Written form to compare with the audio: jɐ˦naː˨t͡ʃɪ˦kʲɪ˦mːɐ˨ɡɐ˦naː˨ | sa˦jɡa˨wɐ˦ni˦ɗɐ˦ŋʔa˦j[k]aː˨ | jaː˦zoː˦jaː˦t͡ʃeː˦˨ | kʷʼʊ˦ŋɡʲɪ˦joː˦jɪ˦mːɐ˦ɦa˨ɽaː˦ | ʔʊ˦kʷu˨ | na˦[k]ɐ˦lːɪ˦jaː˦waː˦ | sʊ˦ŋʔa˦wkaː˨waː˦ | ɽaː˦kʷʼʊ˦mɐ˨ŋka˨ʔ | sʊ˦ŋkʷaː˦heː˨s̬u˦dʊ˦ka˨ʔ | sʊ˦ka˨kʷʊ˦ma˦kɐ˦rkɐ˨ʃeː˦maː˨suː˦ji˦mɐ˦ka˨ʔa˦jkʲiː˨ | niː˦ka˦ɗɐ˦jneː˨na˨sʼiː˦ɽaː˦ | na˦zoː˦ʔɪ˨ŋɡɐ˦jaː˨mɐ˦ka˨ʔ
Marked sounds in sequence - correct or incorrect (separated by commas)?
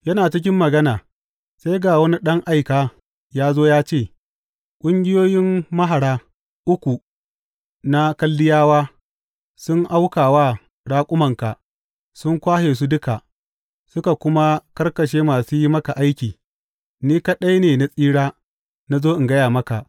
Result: correct, correct